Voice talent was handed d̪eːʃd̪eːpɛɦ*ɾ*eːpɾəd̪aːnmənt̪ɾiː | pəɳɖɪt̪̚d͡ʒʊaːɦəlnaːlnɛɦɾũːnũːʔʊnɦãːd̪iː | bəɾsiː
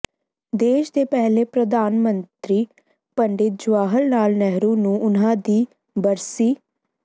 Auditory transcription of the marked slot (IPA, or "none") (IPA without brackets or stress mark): l